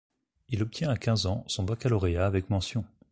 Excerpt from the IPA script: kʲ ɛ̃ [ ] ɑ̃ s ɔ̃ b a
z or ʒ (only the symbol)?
z